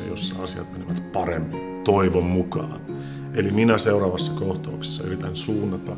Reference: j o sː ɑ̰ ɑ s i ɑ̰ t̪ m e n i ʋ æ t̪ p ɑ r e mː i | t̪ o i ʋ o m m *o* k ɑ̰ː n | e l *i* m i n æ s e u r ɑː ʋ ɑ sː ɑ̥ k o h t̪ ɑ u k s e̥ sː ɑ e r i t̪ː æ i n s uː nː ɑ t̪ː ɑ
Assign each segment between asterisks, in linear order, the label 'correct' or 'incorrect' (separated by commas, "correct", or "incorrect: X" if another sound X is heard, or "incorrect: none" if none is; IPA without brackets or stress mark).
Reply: incorrect: u, correct